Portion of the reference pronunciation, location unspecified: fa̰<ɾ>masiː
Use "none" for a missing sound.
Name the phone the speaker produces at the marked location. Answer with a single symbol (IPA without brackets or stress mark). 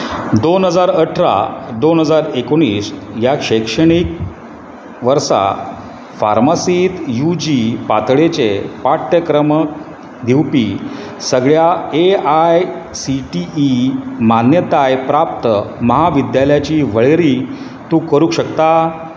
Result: ɾ